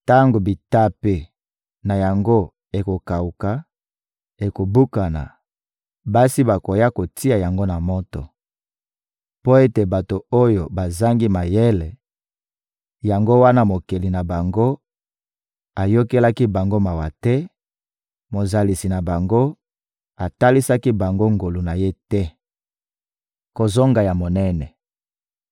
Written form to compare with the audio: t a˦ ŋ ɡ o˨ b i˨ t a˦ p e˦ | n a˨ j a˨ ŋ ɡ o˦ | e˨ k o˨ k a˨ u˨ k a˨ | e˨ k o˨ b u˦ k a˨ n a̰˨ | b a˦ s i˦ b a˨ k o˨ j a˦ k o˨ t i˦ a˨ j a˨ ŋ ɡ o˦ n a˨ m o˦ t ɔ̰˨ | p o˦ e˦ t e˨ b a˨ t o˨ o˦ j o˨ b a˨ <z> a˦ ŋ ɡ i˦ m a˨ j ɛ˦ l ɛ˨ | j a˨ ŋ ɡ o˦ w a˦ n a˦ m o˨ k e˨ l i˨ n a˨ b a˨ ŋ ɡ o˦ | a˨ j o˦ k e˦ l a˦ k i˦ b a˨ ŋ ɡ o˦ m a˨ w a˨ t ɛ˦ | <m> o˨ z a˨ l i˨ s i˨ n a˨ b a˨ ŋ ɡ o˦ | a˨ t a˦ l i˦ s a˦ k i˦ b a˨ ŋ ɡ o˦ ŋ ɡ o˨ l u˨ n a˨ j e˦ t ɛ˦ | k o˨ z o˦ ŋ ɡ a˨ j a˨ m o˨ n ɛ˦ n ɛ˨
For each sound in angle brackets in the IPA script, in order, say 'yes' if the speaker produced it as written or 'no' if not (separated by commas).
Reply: yes, yes